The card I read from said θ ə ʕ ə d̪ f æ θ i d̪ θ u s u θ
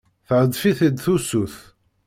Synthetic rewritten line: θ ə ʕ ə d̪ f i θ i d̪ θ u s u θ